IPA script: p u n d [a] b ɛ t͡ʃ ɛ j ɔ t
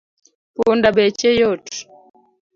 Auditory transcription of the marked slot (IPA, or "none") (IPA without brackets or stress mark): a